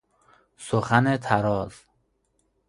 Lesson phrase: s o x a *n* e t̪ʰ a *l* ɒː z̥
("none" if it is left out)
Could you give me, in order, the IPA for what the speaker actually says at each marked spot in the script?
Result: n, ɾ

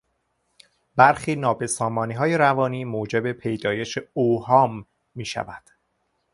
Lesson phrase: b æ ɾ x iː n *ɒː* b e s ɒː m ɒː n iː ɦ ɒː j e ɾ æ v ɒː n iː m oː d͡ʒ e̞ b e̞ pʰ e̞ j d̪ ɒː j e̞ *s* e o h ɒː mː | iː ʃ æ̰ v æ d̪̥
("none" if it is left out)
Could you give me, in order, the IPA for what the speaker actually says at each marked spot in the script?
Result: ɒː, ʃ

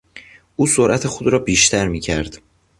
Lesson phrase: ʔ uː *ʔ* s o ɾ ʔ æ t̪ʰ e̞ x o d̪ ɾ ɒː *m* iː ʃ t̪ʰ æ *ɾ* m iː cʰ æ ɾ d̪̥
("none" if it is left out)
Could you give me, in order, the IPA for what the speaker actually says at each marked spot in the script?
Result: none, b, ɾ

